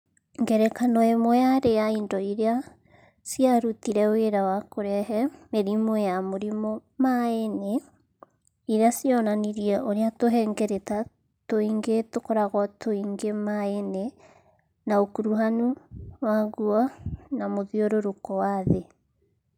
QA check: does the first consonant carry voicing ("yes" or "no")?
yes